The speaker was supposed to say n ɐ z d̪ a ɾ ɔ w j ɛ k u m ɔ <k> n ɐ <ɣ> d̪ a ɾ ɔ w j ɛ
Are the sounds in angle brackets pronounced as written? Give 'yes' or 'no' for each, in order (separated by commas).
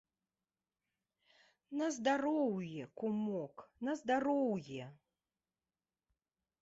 yes, no